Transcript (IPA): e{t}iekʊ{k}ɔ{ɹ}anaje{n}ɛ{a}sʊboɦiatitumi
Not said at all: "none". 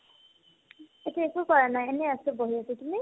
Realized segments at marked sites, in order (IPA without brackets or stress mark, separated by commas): t, k, ɹ, n, a